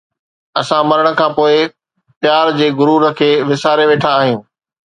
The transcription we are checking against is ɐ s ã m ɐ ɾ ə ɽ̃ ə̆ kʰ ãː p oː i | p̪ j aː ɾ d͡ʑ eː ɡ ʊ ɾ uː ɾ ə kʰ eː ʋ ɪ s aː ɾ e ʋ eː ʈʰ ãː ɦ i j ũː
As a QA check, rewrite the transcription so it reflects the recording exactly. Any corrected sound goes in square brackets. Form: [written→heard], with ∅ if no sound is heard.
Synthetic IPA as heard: ɐ s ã m ɐ ɾ ə ɽ̃ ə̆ kʰ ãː p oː [i→ɪ] | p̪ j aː ɾ d͡ʑ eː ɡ ʊ ɾ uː ɾ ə kʰ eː ʋ ɪ s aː ɾ e ʋ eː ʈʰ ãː ɦ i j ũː